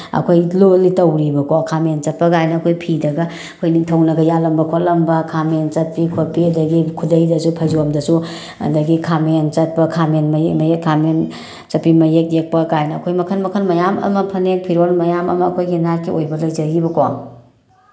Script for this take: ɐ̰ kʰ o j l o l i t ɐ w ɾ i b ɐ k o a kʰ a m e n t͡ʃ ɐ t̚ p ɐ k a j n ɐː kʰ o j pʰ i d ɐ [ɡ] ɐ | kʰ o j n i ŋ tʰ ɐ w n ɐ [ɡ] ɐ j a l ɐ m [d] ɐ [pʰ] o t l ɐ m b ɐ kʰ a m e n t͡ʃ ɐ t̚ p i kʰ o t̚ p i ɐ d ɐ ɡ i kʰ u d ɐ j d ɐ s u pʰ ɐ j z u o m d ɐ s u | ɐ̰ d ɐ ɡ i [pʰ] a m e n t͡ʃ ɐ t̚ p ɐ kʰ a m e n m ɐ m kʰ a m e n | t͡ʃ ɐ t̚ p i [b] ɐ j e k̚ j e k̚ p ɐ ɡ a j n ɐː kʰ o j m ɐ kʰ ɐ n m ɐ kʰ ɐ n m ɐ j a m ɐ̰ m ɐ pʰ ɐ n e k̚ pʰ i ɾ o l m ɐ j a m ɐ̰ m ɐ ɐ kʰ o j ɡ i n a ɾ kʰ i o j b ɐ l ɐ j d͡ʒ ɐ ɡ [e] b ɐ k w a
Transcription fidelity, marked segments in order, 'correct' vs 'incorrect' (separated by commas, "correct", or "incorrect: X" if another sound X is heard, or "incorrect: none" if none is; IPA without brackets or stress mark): correct, correct, incorrect: b, incorrect: kʰ, incorrect: kʰ, incorrect: m, incorrect: i